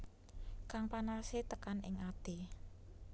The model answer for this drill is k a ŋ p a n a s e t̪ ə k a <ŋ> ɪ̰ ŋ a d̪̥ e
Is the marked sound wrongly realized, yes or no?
yes